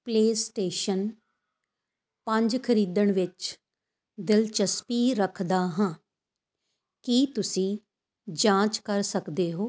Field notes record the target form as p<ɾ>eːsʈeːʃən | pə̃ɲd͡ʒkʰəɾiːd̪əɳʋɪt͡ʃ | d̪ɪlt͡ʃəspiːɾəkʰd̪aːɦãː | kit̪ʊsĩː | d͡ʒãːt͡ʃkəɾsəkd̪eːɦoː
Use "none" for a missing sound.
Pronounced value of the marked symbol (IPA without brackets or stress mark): l